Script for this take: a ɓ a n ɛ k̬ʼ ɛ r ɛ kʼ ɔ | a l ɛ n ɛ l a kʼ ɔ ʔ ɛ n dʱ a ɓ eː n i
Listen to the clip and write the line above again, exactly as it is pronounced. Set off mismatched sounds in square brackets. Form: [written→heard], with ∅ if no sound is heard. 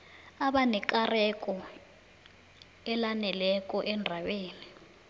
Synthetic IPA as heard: a ɓ a n ɛ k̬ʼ [ɛ→a] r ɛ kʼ ɔ | [a→ɛ] l [ɛ→a] n ɛ l [a→ɛ] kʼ ɔ ʔ ɛ n dʱ a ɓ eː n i